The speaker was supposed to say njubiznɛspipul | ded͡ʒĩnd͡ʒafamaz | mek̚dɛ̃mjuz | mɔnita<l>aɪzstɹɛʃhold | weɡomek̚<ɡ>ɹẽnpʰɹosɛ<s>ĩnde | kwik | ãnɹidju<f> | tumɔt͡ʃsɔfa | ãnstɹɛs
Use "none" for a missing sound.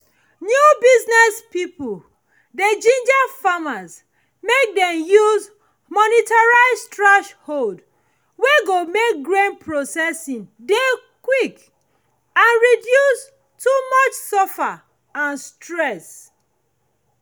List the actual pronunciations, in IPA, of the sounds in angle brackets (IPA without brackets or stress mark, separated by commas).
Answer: ɹ, ɡ, s, s